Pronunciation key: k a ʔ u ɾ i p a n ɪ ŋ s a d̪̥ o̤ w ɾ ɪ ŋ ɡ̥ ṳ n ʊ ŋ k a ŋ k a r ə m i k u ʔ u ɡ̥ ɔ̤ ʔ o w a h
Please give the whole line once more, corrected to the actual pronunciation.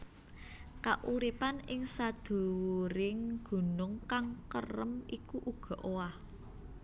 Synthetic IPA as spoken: k a ʔ u ɾ i p a n ɪ ŋ s a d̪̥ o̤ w ɾ ɪ ŋ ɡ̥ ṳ n ʊ ŋ k a ŋ k ə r ə m i k u ʔ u ɡ̥ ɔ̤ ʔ o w a h

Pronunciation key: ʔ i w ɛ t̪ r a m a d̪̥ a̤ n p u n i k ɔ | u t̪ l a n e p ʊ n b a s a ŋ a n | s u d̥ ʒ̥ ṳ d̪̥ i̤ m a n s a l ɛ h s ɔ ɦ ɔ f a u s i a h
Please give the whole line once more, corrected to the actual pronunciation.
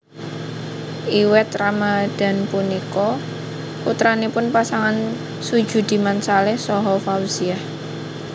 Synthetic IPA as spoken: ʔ i w ɛ t̪ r a m a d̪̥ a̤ n p u n i k ɔ | u t̪ ɾ a n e p ʊ n p a s a ŋ a n | s u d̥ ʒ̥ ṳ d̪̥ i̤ m a n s a l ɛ h s ɔ ɦ ɔ f a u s i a h

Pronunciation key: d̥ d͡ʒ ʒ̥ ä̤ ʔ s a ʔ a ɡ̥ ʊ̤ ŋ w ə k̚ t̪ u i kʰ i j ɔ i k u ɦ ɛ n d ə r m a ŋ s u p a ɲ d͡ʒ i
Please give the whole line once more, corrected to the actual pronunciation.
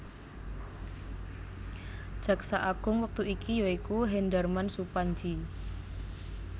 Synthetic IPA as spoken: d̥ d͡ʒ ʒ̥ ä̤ k s a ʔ a ɡ̥ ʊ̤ ŋ w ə k̚ t̪ u i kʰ i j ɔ i k u ɦ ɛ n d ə r m a n s u p a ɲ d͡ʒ i

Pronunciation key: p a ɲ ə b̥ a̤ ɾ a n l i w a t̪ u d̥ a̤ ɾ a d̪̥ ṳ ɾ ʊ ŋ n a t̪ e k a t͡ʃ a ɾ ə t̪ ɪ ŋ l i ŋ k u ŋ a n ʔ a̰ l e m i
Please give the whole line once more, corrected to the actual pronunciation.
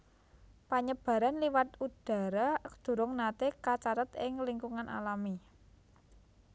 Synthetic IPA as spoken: p a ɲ ə b̥ a̤ ɾ a n l i w a t̪ u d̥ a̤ ɾ a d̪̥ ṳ ɾ ʊ ŋ n a t̪ e k a t͡ʃ a ɾ ə t̪ ɪ ŋ l i ŋ k u ŋ a n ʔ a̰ l a m i

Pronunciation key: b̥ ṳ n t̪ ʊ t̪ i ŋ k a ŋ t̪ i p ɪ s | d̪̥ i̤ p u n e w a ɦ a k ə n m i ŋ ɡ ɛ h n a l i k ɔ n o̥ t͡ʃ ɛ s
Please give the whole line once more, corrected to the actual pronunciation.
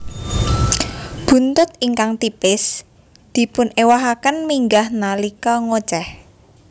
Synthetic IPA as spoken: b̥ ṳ n t̪ ʊ t̪ i ŋ k a ŋ t̪ i p ɪ s | d̪̥ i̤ p ʊ n e w a ɦ a k ə n m i ŋ ɡ a h n a l i k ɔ ŋ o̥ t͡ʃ ɛ h

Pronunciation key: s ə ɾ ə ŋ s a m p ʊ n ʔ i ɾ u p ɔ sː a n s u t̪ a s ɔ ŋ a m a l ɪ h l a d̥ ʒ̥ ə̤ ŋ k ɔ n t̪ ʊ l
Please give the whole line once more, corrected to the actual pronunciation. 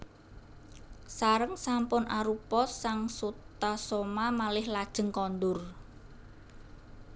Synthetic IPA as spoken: s a ɾ ə ŋ s a m p ʊ n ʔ a ɾ u p ɔ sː a ŋ s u t̪ a s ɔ m a m a l ɪ h l a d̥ ʒ̥ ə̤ ŋ k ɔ n d̪ ʊ r

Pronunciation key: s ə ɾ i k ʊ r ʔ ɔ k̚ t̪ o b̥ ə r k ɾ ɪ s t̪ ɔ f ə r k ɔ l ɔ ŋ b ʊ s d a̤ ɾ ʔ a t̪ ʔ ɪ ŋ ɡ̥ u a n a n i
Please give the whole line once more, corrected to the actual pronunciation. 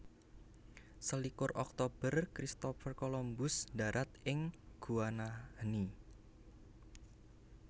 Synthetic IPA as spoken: s ə l i k ʊ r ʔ ɔ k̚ t̪ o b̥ ə r k ɾ i s t̪ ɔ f ə r k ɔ l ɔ m b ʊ s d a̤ ɾ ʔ a t̪ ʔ ɪ ŋ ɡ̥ u a n a n i

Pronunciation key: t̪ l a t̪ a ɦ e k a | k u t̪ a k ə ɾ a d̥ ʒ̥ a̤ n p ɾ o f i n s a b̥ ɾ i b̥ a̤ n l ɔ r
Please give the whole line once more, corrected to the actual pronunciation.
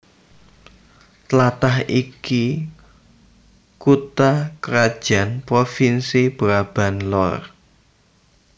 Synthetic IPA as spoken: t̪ l a t̪ a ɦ i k i | k u t̪ a k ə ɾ a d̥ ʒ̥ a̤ n p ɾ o f i n s i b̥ ɾ a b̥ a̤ n l ɔ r

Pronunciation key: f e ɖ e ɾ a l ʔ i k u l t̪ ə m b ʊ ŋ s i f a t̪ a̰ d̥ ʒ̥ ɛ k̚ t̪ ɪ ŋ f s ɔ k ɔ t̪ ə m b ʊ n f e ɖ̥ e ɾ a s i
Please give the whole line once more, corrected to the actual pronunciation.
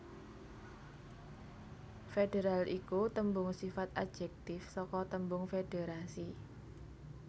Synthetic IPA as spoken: f e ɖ e ɾ a l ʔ i k u t̪ ə m b ʊ ŋ s i f a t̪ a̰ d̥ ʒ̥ ɛ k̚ t̪ ɪ f s ɔ k ɔ t̪ ə m b ʊ ŋ f e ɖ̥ e ɾ a s i

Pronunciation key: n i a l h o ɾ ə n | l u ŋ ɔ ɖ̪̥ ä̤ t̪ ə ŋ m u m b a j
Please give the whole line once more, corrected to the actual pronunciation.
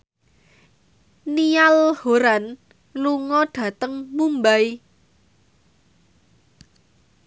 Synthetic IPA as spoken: n i a l h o ɾ a n | l u ŋ ɔ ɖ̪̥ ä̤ t̪ ə ŋ m u m b a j

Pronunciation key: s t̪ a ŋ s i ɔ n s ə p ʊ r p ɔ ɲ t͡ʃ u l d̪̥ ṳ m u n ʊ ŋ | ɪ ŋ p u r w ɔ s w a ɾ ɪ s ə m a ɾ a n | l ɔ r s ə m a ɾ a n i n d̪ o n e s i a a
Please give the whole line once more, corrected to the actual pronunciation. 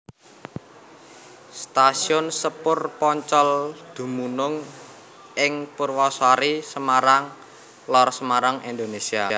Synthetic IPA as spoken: s t̪ a s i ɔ n s ə p ʊ r p ɔ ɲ t͡ʃ ɔ l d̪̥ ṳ m u n ʊ ŋ | ɪ ŋ p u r w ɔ s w a ɾ i s ə m a ɾ a ŋ | l ɔ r s ə m a ɾ a ŋ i n d̪ o n e s i a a

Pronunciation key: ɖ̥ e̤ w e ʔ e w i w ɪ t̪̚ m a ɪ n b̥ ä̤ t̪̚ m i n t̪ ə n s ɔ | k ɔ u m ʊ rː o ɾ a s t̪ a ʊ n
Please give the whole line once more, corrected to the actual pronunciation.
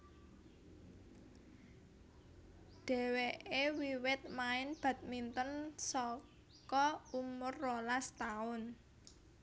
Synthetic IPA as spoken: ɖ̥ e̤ w e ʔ e w i w ɪ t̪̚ m a ɪ n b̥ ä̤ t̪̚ m i n t̪ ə n s ɔ | k ɔ u m ʊ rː o l a s t̪ a ʊ n

